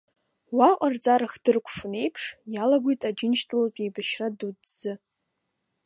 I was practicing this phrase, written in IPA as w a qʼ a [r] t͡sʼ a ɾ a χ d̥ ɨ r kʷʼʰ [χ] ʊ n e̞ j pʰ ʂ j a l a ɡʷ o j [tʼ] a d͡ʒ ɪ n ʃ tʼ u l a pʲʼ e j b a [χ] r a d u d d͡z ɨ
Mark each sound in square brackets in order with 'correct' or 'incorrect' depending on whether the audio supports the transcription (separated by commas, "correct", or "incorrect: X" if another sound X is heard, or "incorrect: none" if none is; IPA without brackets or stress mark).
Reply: correct, incorrect: ʂ, correct, incorrect: ʃ